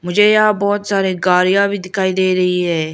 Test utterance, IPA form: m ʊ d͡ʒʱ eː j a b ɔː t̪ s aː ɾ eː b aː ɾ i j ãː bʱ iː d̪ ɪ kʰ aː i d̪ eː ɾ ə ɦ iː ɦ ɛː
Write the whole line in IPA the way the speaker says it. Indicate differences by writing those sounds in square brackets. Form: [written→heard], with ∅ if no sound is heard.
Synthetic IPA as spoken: m ʊ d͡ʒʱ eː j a b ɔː t̪ s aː ɾ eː [b→ɡ] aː ɾ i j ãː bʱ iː d̪ ɪ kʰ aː i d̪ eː ɾ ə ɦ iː ɦ ɛː